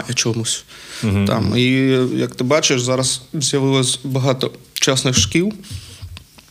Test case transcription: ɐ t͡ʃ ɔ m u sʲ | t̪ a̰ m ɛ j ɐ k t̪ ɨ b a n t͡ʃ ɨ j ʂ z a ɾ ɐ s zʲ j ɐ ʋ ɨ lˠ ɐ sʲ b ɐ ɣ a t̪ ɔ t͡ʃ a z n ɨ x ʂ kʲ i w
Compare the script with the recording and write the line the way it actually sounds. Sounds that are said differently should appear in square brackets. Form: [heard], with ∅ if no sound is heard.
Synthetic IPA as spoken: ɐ t͡ʃ ɔ m u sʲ | t̪ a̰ m [i] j ɐ k t̪ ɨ b a [∅] t͡ʃ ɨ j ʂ z a ɾ ɐ s zʲ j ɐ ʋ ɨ lˠ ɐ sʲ b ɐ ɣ a t̪ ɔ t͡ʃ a [s] n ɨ x ʂ kʲ i w